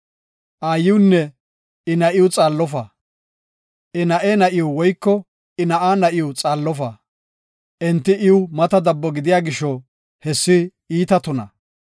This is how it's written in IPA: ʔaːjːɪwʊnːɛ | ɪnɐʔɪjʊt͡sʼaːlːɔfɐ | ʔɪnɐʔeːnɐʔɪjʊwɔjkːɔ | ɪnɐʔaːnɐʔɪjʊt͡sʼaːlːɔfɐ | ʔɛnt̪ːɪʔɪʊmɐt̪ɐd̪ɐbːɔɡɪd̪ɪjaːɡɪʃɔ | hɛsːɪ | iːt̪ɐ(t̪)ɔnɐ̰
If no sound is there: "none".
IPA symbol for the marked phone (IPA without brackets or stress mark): t̪